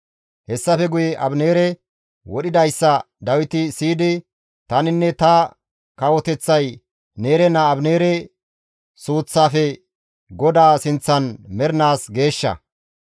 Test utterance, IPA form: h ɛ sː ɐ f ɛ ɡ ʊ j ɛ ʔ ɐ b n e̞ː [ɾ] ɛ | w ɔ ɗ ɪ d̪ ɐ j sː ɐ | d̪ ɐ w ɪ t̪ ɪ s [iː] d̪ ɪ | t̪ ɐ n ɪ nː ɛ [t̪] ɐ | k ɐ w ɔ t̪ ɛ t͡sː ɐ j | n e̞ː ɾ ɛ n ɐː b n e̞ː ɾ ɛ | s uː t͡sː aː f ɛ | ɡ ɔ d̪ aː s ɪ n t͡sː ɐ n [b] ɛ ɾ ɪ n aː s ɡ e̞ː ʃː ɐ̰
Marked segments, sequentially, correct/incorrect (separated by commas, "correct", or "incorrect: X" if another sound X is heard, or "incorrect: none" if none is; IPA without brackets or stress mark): correct, correct, correct, incorrect: m